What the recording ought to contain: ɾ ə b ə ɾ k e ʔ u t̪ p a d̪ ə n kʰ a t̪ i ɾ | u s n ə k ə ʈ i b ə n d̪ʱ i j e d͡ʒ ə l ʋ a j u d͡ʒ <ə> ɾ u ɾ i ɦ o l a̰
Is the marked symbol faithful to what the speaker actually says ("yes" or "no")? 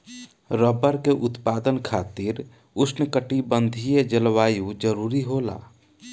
yes